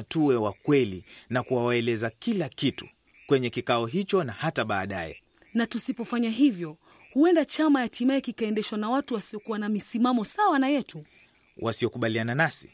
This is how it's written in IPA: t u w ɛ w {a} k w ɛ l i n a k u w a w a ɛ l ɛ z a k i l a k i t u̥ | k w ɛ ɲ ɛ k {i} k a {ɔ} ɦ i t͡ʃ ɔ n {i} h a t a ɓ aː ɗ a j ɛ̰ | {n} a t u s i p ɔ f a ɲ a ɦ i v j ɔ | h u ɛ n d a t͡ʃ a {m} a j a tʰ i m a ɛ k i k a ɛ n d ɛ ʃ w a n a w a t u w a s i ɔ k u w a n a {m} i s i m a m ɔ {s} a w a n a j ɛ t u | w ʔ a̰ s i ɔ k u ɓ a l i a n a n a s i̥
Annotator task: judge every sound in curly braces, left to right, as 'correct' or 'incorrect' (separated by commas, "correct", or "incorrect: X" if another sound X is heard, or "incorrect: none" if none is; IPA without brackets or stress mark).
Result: correct, correct, correct, incorrect: a, correct, correct, correct, correct